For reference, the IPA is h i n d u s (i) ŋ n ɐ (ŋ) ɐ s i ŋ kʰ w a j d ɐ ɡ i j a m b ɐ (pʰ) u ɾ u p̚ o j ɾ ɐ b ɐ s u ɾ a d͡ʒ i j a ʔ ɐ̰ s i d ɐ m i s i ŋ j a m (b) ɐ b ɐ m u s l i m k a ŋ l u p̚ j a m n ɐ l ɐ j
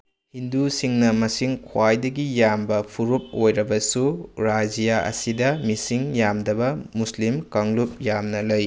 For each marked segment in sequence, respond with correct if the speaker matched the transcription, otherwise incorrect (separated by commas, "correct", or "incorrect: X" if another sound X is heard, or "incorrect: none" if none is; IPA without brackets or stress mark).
correct, incorrect: m, correct, incorrect: d